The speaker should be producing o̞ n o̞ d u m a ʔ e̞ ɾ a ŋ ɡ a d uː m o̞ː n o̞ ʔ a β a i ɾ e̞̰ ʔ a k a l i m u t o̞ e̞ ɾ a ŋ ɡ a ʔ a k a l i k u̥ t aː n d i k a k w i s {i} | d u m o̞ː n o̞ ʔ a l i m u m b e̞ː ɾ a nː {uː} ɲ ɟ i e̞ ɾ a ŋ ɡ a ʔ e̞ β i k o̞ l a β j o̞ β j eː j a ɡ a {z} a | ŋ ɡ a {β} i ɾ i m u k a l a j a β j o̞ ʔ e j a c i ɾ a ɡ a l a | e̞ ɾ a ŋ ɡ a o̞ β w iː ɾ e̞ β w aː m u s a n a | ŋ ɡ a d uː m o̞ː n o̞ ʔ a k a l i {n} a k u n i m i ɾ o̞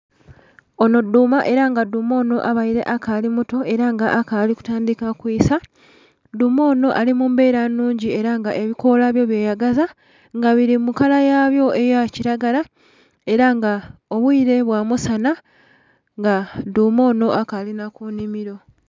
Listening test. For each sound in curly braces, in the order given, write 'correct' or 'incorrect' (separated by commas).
incorrect, correct, correct, correct, correct